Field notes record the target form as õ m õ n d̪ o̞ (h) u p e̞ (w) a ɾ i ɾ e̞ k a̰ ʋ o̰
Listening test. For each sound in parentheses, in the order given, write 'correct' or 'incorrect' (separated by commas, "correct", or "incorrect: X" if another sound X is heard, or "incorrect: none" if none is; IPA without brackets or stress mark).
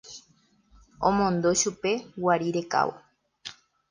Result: incorrect: ʃ, correct